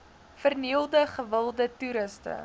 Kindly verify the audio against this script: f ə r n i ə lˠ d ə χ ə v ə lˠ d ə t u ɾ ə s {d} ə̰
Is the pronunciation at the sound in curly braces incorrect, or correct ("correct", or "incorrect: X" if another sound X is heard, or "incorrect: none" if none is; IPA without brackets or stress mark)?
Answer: incorrect: t